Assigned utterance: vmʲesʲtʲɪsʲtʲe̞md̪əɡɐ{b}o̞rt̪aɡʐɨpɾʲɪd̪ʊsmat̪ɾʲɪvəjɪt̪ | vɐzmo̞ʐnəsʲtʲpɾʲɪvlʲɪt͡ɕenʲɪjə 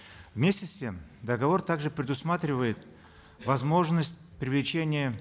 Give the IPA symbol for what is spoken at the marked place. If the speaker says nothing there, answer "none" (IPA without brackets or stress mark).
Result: v